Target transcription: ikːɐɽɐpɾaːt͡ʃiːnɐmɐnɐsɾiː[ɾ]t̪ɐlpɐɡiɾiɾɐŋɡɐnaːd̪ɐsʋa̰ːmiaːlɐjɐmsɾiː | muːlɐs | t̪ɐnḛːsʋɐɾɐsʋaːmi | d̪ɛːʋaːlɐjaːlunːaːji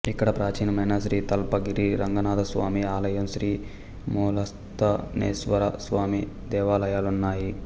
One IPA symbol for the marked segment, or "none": none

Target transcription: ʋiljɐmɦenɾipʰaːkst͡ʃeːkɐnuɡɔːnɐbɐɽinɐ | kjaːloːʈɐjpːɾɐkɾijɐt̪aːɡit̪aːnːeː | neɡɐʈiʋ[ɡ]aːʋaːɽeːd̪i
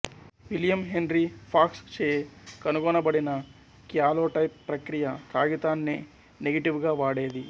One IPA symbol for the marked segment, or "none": ɡ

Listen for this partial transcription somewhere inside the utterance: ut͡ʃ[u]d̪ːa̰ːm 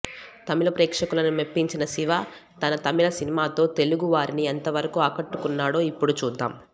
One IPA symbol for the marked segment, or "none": uː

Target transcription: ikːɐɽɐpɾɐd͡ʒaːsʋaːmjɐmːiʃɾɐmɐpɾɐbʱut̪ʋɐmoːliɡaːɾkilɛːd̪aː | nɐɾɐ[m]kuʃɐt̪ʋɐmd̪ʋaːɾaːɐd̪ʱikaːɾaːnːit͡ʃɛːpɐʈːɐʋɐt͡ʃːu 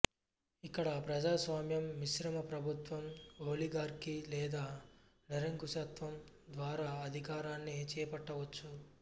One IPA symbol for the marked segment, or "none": ŋ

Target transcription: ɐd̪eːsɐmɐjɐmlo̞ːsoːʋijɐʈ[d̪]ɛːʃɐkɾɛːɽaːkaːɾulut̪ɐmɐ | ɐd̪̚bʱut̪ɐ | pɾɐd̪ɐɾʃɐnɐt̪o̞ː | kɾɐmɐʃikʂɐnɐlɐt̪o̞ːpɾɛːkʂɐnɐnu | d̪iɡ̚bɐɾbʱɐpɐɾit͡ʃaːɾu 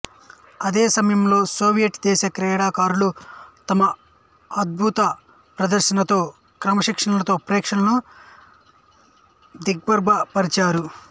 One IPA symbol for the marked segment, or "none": d̪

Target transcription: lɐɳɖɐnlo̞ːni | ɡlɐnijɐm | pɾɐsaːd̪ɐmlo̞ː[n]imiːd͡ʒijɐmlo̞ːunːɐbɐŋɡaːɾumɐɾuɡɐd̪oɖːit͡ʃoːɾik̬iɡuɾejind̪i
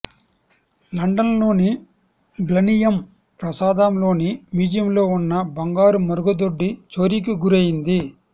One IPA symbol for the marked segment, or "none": n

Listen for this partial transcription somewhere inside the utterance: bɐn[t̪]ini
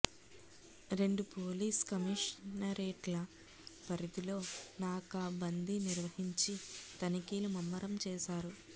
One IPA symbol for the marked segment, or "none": d̪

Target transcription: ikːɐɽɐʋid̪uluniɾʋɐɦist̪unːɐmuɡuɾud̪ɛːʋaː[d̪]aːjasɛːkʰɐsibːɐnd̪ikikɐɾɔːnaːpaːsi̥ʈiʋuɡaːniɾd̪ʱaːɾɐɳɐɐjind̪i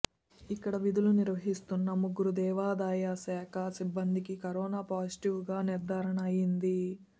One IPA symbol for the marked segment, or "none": d̪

